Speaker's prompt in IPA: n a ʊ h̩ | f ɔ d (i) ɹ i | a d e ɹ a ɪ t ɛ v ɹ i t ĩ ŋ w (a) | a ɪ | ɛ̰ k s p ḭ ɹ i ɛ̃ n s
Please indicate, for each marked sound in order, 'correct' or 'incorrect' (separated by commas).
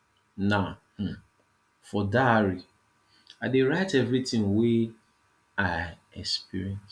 incorrect, incorrect